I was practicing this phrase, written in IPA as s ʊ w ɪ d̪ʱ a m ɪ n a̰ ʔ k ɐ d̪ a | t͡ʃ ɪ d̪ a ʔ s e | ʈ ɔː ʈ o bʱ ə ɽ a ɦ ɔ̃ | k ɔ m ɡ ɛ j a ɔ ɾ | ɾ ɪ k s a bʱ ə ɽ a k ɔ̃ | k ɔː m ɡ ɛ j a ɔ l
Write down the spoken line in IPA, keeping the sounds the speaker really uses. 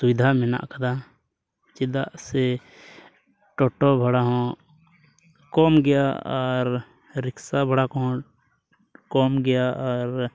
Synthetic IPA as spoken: s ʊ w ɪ d̪ʱ a m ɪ n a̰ ʔ k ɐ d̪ a | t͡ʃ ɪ d̪ a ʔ s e | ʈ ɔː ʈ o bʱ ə ɽ a ɦ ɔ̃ | k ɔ m ɡ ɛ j a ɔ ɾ | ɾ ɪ k s a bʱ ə ɽ a k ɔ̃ | k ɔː m ɡ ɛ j a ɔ ɾ